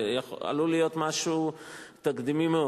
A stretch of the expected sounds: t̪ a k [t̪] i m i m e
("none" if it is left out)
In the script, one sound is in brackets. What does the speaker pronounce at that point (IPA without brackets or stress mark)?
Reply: d̪